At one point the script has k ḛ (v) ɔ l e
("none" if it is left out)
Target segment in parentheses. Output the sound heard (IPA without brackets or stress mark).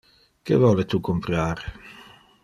v